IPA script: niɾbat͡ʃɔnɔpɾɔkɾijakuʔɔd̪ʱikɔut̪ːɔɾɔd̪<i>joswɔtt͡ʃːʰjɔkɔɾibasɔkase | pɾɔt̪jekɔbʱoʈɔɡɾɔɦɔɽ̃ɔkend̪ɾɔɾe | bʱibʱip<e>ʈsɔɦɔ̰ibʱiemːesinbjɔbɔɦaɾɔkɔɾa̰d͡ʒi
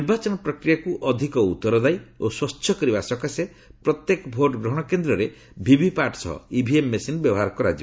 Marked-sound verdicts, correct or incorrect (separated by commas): incorrect, incorrect